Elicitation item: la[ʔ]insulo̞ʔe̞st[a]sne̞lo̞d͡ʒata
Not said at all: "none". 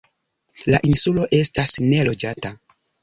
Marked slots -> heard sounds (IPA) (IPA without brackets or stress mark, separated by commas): ʔ, a